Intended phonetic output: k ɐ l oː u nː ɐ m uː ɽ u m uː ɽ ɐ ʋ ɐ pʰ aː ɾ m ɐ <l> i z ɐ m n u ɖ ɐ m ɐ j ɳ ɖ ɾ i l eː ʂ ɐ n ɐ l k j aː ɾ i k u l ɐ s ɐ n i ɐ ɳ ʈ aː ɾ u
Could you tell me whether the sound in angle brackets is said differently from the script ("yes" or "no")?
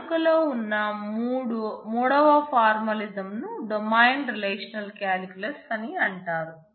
no